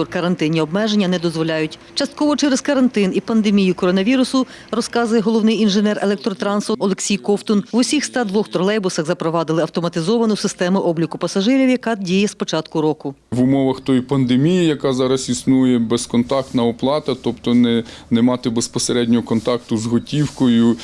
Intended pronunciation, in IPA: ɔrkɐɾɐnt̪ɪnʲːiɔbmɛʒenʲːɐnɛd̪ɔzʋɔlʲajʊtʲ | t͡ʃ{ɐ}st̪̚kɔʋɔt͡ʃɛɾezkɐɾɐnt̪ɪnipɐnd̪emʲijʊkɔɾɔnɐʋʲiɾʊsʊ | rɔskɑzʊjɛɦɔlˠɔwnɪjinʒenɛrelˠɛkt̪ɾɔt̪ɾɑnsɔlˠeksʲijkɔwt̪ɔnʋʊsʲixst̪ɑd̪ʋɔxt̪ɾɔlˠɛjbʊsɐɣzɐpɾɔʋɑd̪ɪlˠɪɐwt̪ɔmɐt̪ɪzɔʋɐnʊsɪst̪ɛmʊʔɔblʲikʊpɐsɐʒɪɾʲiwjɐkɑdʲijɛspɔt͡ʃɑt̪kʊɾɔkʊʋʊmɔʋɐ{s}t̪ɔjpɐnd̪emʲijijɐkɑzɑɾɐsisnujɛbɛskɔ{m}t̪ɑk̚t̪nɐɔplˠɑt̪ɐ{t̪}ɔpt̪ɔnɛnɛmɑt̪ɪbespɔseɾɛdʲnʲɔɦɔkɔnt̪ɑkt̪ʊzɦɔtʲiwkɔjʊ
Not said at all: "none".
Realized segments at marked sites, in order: ɐ, x, n, t̪

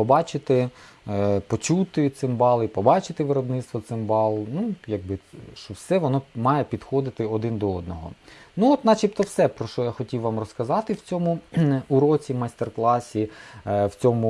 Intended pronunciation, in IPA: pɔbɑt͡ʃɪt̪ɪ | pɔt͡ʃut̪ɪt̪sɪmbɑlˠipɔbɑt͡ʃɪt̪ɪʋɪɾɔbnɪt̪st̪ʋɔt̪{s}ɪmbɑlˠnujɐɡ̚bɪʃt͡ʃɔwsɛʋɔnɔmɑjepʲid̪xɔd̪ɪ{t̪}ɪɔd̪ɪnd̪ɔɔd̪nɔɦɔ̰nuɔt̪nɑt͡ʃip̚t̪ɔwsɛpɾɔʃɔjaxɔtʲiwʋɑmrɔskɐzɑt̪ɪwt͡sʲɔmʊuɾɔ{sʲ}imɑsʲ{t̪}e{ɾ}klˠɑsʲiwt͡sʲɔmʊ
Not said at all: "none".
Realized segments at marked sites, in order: s, t̪, t͡sʲ, t̪, r

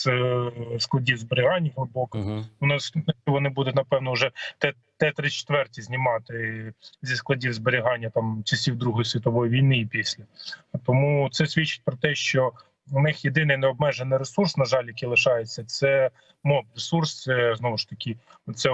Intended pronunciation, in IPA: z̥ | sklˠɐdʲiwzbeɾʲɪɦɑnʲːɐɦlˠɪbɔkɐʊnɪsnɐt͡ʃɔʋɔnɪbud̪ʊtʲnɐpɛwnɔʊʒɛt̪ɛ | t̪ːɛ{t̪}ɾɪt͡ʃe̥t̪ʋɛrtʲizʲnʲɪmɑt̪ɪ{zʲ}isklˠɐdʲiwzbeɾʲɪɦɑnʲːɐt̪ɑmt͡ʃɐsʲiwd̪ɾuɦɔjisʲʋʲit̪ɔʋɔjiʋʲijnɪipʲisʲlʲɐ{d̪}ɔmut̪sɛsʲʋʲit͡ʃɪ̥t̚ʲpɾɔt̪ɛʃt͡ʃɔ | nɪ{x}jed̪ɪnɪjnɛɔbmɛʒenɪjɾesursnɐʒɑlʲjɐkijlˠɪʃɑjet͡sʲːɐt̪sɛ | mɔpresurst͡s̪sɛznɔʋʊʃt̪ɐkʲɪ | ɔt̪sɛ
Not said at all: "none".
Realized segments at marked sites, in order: t̪, zʲ, t̪, x

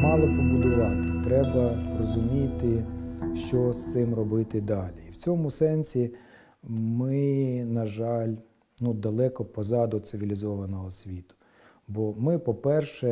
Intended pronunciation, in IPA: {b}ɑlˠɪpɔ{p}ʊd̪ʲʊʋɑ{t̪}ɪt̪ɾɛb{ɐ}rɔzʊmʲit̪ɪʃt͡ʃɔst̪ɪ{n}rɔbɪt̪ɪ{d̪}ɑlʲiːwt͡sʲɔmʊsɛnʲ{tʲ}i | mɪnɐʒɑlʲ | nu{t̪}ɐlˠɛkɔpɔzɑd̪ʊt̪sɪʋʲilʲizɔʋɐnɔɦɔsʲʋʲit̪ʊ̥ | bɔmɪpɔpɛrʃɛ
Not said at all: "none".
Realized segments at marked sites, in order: m, b, t̪, ɐ, m, d̪, sʲ, d̪

